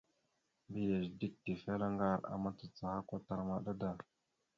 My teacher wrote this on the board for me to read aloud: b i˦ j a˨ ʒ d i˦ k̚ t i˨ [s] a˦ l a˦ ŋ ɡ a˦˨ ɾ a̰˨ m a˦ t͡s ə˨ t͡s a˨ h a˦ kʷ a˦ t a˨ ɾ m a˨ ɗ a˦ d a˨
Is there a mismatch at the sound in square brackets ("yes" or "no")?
yes